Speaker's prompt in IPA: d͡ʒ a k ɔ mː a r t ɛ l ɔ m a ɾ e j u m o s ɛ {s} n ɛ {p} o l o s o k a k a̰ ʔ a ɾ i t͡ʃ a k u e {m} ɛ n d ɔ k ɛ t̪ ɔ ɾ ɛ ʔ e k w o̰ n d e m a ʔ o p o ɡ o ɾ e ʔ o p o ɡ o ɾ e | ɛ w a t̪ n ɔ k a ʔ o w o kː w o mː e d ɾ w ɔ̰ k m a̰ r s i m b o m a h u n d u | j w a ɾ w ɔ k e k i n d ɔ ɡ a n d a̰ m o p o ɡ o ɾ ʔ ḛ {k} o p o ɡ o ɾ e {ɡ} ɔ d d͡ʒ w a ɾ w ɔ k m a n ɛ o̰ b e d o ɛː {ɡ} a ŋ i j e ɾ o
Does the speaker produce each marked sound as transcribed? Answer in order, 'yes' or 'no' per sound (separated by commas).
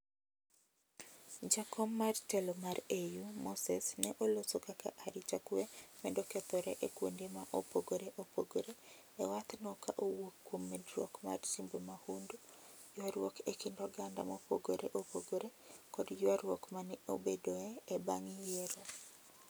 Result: yes, no, yes, no, no, no